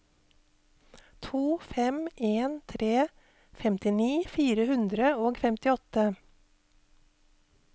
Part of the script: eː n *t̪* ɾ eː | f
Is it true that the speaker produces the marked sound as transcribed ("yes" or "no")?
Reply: no